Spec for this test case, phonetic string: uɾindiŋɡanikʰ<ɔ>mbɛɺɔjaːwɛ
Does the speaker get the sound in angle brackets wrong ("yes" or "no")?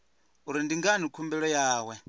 yes